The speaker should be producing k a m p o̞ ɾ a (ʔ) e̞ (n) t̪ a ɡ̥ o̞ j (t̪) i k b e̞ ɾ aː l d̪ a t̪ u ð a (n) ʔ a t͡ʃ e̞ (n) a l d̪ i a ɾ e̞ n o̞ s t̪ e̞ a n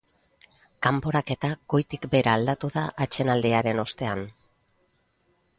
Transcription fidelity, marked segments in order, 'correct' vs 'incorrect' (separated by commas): incorrect, incorrect, correct, incorrect, correct